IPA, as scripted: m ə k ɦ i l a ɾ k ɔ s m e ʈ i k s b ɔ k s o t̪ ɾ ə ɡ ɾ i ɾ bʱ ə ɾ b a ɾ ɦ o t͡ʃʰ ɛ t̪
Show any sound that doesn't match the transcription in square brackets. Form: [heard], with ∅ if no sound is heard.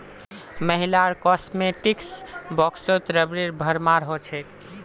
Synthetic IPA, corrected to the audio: m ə [∅] ɦ i l a ɾ k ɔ s m e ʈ i k s b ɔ k s o t̪ ɾ ə [b] ɾ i ɾ bʱ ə ɾ [m] a ɾ ɦ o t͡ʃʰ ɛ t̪